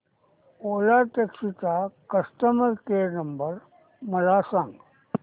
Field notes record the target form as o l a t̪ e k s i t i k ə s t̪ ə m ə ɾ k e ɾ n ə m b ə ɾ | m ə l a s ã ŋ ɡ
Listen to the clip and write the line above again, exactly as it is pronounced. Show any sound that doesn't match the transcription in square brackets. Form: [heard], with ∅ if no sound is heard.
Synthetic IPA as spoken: o l a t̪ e k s i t [a] k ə s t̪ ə m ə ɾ k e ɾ n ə m b ə ɾ | m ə l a s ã ŋ ɡ